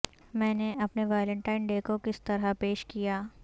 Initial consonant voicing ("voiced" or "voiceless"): voiced